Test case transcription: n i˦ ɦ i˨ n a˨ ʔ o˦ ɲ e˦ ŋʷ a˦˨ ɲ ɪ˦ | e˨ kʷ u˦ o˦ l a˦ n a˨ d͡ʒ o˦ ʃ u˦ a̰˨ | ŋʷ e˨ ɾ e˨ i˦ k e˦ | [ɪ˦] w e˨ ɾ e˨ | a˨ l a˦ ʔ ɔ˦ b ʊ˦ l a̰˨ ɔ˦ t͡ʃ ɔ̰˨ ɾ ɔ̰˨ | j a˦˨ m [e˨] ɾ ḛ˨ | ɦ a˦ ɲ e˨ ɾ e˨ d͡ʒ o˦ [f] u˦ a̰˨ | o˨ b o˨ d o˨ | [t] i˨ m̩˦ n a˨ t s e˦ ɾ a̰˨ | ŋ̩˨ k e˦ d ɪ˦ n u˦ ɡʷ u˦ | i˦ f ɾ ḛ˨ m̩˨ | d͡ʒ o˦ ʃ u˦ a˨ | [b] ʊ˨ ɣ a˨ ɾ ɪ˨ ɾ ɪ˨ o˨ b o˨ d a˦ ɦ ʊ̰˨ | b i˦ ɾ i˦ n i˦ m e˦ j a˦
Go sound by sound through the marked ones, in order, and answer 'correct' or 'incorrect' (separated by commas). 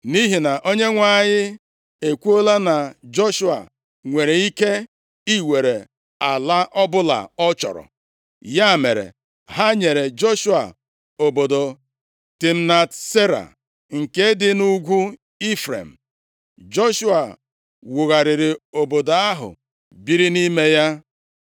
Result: incorrect, correct, incorrect, correct, incorrect